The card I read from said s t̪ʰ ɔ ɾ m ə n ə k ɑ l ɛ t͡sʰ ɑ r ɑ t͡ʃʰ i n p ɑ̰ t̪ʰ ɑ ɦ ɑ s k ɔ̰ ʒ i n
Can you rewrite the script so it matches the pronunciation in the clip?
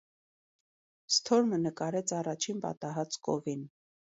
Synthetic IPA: s t̪ʰ ɔ ɾ m ə n ə k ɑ ɾ ɛ t͡sʰ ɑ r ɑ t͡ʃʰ i n p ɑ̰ t̪ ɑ ɦ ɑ t͡s k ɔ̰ v i n

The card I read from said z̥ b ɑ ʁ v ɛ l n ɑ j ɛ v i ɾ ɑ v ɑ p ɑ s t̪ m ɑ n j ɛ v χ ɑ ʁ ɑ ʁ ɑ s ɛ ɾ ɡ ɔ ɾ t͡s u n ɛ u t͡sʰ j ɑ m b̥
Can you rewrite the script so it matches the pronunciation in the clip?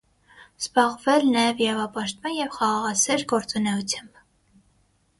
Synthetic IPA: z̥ b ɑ ʁ v ɛ l n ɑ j ɛ v i ɾ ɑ v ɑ p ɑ ʃ t̪ m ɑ n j ɛ v χ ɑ ʁ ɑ ʁ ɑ s ɛ ɾ ɡ ɔ ɾ t͡s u n ɛ u t͡sʰ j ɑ m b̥

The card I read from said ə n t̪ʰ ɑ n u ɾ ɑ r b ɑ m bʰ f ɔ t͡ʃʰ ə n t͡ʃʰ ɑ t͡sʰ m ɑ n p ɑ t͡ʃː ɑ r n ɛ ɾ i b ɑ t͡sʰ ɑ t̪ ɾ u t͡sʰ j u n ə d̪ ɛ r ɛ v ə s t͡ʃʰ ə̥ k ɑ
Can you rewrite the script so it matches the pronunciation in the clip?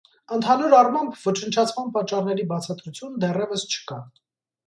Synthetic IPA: ə n t̪ʰ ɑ n u ɾ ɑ r m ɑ m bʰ v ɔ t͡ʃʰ ə n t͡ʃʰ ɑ t͡sʰ m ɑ n p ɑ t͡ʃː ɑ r n ɛ ɾ i b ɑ t͡sʰ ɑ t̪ ɾ u t͡sʰ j u n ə d̪ ɛ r ɛ v ə s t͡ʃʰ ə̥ k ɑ

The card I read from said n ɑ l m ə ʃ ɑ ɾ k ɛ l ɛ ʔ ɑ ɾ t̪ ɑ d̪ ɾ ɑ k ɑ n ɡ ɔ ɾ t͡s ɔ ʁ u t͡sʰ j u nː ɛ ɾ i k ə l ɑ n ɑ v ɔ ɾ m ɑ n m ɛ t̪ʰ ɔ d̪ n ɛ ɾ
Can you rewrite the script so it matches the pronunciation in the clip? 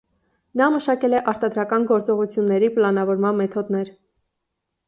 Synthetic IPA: n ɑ m ə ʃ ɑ k ɛ l ɛ ʔ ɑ ɾ t̪ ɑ d̪ ɾ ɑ k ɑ n ɡ ɔ ɾ t͡s ɔ ʁ u t͡sʰ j u nː ɛ ɾ i p ə l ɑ n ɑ v ɔ ɾ m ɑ n m ɛ t̪ʰ ɔ d̪ n ɛ ɾ

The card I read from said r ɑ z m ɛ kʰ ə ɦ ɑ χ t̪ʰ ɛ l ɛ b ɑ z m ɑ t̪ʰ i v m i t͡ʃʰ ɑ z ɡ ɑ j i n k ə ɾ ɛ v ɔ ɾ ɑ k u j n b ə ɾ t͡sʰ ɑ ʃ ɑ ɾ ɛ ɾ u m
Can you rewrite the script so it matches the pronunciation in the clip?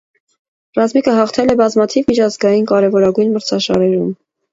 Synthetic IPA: r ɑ z m i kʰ ə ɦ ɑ χ t̪ʰ ɛ l ɛ b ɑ z m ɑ t̪ʰ i v m i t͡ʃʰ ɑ z ɡ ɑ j i n k ɑ ɾ ɛ v ɔ ɾ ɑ ɡ u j n m ə ɾ t͡sʰ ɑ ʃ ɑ ɾ ɛ ɾ u m

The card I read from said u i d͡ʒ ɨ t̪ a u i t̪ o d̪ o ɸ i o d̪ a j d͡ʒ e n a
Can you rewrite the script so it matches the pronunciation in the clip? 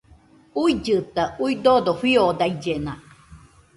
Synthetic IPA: u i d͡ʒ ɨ t̪ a u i d̪ o d̪ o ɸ i o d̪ a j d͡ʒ e n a

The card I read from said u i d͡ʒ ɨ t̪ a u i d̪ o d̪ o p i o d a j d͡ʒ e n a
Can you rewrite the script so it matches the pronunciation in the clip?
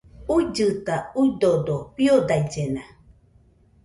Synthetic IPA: u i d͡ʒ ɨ t̪ a u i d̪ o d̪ o p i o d a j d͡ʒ e n a

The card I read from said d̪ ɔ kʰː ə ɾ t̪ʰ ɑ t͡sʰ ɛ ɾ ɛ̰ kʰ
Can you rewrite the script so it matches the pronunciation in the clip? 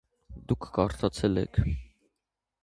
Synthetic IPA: d̪ u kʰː ɑ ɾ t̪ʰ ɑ t͡sʰ ɛ l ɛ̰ kʰ

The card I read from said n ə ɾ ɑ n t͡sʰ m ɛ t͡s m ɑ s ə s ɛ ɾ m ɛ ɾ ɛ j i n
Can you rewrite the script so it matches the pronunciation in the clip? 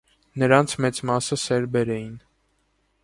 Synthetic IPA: n ə ɾ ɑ n t͡sʰ m ɛ t͡s m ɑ s ə s ɛ ɾ b ɛ ɾ ɛ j i n

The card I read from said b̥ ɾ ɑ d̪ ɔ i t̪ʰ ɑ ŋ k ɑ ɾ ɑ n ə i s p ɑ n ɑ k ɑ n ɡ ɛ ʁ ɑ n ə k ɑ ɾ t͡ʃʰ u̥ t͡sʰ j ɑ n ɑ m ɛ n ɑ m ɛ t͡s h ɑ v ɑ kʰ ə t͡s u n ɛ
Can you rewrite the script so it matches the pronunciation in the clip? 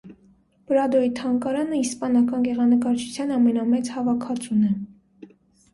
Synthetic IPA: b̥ ɾ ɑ d̪ ɔ i t̪ʰ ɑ ŋ k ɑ ɾ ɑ n ə i s p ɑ n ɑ k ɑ n ɡ ɛ ʁ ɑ n ə k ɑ ɾ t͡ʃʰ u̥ t͡sʰ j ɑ n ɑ m ɛ n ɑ m ɛ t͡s h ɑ v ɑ kʰ ɑ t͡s u n ɛ

